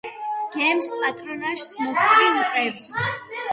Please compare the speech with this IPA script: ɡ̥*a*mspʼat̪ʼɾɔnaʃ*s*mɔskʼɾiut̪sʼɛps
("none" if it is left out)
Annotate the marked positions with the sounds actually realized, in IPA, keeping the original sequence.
ɛ, s

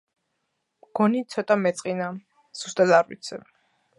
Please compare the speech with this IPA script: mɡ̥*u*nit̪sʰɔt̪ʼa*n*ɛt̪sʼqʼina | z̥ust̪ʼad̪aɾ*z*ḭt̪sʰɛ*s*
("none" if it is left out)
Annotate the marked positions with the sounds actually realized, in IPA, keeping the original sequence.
ɔ, m, v, none

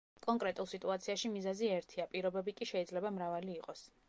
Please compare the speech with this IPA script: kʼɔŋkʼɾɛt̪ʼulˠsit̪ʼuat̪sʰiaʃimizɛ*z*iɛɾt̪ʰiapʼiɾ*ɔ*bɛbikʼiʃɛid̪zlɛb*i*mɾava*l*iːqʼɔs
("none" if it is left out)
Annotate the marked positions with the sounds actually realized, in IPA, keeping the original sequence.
z, ɔ, a, l

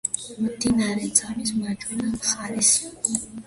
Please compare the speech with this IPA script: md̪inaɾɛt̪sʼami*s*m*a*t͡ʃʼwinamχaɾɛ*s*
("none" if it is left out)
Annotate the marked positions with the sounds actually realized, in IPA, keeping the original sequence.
s, a, s

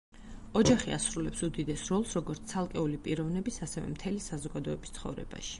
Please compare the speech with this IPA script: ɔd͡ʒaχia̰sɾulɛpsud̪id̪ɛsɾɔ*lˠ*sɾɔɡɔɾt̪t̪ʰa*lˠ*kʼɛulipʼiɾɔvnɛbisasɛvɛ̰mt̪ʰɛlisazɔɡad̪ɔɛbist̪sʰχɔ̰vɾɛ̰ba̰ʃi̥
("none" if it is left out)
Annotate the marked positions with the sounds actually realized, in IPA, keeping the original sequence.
lˠ, lˠ

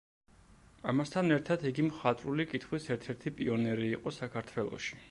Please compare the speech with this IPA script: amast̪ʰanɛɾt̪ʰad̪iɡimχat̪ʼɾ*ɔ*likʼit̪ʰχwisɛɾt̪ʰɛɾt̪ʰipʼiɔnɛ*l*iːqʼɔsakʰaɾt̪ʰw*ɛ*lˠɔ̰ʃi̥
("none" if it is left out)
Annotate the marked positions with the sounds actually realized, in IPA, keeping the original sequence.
u, ɾ, ɛ

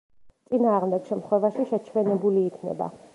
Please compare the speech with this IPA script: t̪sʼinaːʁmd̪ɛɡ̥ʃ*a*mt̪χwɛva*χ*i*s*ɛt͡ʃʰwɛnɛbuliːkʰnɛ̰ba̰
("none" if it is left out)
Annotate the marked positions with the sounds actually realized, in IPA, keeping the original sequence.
ɛ, ʃ, ʃ

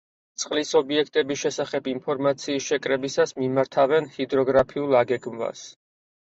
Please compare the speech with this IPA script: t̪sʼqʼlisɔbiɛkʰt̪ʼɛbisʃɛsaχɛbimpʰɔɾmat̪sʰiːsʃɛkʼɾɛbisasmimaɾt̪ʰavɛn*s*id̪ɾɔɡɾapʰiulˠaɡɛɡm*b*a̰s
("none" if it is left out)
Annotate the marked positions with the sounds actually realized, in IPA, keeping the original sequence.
h, v

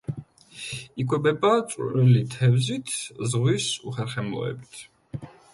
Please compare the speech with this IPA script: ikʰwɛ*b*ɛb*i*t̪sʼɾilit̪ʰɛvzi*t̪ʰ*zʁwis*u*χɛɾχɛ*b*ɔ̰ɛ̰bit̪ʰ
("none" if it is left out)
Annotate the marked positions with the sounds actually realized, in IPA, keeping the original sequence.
b, a, t̪ʰ, u, m

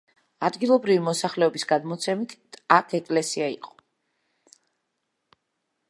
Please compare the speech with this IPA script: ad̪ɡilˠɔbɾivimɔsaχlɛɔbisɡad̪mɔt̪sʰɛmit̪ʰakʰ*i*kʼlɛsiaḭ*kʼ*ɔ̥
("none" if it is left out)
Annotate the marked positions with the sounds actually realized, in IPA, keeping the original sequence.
ɛ, qʼ

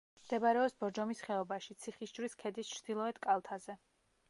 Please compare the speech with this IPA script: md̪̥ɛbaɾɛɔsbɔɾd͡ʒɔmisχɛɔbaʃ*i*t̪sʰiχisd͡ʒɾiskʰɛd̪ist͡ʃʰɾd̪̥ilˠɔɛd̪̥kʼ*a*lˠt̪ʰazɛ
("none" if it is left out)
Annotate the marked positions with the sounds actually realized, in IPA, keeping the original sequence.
i, a

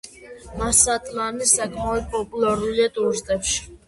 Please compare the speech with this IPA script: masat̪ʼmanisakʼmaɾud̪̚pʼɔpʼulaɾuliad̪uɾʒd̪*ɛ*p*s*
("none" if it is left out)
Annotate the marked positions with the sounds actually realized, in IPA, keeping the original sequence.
ɛ, ʃ

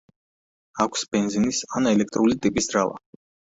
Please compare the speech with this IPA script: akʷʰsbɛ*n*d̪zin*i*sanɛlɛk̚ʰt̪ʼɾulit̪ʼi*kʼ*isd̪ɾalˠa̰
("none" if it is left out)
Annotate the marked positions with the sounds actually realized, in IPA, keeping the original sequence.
n, i, pʼ

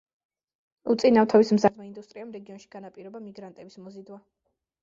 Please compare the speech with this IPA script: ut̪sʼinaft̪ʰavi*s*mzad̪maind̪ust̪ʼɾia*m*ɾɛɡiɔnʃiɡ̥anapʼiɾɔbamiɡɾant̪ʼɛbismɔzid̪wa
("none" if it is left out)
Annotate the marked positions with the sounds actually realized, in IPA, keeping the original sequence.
s, m

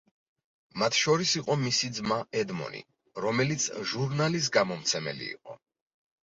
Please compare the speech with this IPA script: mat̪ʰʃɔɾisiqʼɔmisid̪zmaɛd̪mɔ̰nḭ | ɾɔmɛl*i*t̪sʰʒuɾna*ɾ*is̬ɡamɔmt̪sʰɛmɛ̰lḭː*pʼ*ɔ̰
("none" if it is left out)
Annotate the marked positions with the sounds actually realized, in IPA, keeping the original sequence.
i, l, qʼ

